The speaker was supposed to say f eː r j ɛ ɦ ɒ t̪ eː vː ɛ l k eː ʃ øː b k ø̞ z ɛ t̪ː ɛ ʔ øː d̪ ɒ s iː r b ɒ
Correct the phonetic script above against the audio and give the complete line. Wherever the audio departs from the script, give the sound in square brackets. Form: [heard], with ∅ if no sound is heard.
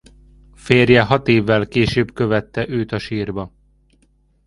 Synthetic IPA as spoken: f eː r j ɛ ɦ ɒ t̪ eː vː ɛ l k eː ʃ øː b k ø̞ [v] ɛ t̪ː ɛ ʔ øː [t̪] ɒ [ʃ] iː r b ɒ

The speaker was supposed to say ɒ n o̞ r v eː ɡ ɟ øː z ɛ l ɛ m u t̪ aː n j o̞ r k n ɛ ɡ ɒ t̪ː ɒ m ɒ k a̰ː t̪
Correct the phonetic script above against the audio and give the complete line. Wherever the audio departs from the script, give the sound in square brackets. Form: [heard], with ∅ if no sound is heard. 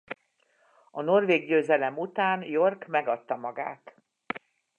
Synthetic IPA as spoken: ɒ n o̞ r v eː ɡ ɟ øː z ɛ l ɛ m u t̪ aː n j o̞ r k [m] ɛ ɡ ɒ t̪ː ɒ m ɒ [ɡ] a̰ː t̪

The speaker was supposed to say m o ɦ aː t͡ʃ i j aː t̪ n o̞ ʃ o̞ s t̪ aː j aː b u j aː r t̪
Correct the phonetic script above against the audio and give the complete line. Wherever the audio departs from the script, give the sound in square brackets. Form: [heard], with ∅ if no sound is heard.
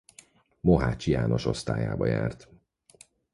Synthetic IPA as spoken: m o ɦ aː t͡ʃ i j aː [∅] n o̞ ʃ o̞ s t̪ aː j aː b [ɒ] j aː r t̪

